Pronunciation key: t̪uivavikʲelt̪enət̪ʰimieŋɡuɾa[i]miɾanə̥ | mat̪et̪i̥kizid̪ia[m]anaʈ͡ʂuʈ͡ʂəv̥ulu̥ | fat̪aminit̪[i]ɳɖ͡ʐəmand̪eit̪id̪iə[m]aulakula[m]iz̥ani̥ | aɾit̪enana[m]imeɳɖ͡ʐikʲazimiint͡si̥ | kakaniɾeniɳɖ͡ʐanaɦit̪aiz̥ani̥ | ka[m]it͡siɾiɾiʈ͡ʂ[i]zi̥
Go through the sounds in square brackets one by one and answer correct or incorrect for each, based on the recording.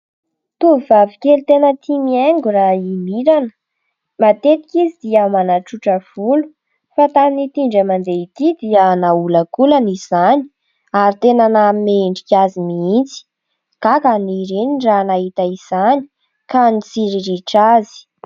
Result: correct, correct, correct, incorrect: n, incorrect: n, correct, incorrect: n, incorrect: a

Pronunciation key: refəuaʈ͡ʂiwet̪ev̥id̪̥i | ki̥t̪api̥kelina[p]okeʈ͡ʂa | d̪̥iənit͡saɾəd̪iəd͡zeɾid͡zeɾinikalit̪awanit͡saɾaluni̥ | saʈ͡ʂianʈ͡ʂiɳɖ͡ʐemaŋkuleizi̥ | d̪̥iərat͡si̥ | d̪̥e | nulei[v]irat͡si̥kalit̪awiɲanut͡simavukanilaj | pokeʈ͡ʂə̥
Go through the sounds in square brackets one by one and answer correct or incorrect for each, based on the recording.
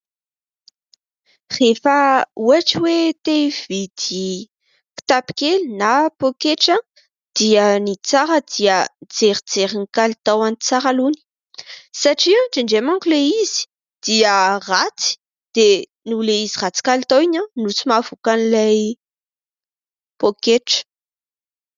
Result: correct, incorrect: z

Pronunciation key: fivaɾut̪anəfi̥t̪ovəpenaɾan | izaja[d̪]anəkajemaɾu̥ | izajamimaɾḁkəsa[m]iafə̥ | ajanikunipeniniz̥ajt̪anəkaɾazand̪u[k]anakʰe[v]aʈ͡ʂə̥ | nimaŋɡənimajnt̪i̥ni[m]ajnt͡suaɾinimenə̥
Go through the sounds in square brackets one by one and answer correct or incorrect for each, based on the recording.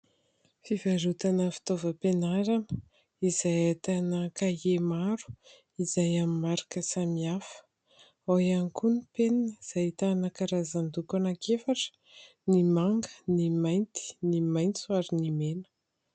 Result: incorrect: t̪, correct, correct, incorrect: f, correct

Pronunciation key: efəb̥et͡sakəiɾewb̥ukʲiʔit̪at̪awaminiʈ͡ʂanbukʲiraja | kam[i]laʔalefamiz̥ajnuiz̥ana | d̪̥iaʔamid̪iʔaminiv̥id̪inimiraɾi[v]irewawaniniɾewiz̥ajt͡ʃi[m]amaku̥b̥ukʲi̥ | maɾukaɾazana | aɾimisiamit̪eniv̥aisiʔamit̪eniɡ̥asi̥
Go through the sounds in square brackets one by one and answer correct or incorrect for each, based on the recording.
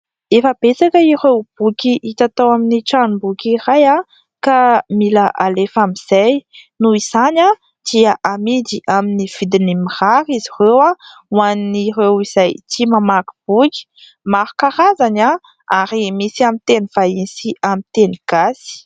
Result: correct, incorrect: z, correct

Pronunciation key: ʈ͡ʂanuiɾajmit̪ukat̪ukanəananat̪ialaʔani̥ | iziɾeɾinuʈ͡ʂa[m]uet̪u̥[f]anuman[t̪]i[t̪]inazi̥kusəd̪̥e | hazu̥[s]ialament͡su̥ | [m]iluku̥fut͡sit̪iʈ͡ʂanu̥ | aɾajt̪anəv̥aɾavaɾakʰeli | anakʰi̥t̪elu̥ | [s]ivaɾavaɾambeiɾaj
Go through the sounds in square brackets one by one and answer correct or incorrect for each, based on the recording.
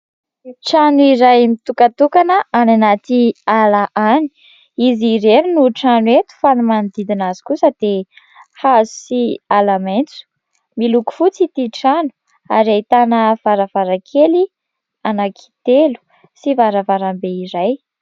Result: incorrect: n, correct, incorrect: d̪, incorrect: d̪, correct, correct, correct

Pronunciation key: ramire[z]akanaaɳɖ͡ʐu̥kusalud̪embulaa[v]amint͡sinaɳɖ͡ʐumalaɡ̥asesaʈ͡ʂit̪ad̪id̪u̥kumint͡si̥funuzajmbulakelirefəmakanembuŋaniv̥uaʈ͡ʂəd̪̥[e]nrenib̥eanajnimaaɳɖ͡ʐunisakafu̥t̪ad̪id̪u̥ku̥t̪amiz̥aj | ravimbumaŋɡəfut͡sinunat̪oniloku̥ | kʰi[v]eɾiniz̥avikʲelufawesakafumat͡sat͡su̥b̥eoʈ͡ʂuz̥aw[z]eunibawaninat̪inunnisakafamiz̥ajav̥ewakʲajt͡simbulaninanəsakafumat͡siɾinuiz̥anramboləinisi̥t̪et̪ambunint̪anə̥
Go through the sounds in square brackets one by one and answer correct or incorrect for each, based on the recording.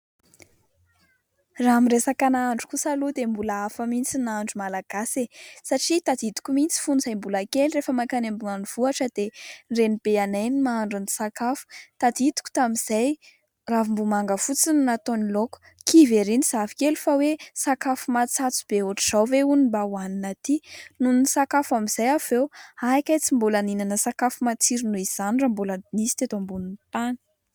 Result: incorrect: s, incorrect: f, correct, correct, incorrect: v

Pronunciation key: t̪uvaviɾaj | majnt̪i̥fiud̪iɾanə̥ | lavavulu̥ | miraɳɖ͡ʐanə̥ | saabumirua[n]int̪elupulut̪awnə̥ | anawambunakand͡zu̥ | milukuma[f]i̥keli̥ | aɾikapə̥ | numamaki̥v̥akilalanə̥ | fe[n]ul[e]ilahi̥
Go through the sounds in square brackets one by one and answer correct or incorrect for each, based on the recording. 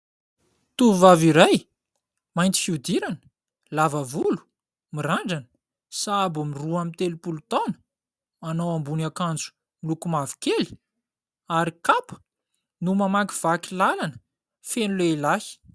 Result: incorrect: m, incorrect: v, correct, correct

